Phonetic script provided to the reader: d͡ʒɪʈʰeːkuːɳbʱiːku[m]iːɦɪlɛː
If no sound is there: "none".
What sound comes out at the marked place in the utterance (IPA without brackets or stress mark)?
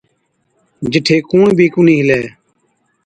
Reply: n